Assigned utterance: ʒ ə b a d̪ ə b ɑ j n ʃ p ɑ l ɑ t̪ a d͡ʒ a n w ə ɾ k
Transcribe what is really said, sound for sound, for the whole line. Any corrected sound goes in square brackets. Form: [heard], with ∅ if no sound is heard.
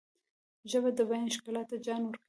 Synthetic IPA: ʒ ə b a d̪ ə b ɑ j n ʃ [k] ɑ l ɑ t̪ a d͡ʒ [ɑ] n w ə ɾ k

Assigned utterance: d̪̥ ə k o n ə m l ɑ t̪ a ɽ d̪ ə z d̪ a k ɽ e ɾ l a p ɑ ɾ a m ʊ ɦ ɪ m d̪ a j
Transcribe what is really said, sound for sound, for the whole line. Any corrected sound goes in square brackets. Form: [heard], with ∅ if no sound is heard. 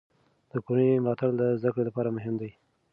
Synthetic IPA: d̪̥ ə k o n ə m l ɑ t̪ a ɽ d̪ ə z d̪ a k ɽ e [∅] l a p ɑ ɾ a m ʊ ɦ ɪ m d̪ a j

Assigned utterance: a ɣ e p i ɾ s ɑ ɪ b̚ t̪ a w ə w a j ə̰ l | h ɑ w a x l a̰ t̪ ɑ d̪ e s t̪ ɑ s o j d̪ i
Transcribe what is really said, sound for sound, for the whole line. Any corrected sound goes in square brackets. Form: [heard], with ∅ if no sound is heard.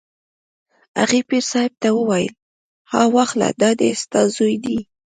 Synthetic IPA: a ɣ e p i ɾ s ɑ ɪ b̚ t̪ a w ə w a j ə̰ l | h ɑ w a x l a̰ [d̪] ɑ d̪ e s t̪ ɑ [z] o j d̪ i

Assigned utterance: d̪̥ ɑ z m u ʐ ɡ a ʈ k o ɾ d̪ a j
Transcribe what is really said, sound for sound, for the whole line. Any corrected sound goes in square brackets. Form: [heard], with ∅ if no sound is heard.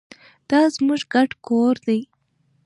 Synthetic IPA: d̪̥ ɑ z m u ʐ ɡ a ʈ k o ɾ d̪ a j

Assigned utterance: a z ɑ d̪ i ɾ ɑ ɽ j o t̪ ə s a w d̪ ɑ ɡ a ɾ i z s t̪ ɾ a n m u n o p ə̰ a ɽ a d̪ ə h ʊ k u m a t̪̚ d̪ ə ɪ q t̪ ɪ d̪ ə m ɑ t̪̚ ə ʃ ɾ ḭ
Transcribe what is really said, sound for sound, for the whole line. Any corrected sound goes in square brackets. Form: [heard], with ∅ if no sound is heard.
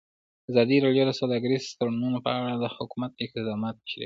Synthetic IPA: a z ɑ d̪ i ɾ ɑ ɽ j o [d̪] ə s a w d̪ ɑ ɡ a ɾ i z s t̪ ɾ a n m u n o p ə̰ a ɽ a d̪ ə h ʊ k u m a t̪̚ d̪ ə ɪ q t̪ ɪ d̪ [ɑ] m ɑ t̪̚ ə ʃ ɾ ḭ

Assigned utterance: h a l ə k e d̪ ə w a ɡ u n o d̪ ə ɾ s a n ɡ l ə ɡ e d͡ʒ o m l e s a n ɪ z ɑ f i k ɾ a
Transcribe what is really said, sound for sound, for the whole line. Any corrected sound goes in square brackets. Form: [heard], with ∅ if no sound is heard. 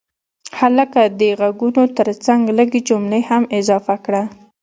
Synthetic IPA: h a l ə k [a] d̪ ə [ɣ] a ɡ u n o [t̪] ə ɾ [t͡s] a [ŋ] ɡ l ə ɡ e d͡ʒ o m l e [h] a [m] ɪ z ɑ f [a] k [ɽ] a

